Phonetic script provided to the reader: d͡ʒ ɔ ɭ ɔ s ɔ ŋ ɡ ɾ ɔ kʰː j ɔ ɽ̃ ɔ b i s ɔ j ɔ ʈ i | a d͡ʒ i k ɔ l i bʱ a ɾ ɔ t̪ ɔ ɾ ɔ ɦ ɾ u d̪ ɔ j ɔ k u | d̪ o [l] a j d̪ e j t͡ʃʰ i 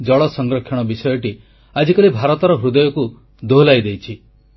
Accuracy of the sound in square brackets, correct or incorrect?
correct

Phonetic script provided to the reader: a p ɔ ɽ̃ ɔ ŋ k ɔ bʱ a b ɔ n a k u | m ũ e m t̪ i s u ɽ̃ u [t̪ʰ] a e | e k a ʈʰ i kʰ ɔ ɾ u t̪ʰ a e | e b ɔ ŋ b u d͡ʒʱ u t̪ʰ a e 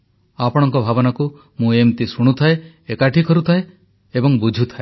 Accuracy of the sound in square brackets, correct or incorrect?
correct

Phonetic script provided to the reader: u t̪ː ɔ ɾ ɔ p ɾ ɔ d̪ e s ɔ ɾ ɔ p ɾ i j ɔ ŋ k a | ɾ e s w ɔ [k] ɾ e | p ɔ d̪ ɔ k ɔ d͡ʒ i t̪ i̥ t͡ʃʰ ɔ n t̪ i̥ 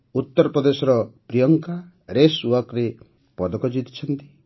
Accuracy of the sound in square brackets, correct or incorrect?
correct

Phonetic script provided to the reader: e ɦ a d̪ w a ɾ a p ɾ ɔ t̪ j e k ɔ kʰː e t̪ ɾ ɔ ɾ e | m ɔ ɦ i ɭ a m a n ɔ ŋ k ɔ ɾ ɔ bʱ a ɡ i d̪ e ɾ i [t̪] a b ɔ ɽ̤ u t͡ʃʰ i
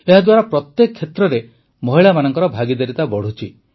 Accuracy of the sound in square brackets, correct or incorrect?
correct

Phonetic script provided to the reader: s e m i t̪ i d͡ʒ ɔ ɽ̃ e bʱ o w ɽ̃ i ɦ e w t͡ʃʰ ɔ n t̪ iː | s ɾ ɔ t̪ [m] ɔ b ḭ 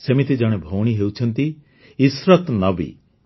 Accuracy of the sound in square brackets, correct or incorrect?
incorrect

